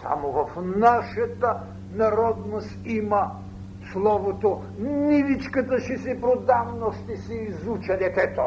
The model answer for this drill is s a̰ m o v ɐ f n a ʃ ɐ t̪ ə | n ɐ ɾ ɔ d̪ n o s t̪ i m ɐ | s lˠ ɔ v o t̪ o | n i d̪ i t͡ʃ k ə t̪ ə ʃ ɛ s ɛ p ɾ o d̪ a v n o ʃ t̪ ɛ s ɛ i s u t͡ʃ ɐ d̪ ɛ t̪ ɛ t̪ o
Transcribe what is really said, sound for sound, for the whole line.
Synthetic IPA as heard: s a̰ m o v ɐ f n a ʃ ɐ t̪ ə | n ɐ ɾ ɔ d̪ n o s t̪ i m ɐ | s lˠ ɔ v o t̪ o | n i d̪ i t͡ʃ k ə t̪ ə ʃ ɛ s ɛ p ɾ o d̪ a v n o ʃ t̪ ɛ s ɛ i z u t͡ʃ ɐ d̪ ɛ t̪ ɛ t̪ o